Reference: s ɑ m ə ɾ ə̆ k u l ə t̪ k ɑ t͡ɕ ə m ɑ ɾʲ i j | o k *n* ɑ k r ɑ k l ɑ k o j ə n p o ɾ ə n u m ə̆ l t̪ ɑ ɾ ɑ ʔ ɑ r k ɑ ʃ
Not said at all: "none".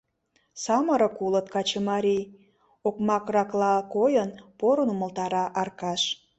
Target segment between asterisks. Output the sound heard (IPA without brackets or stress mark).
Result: m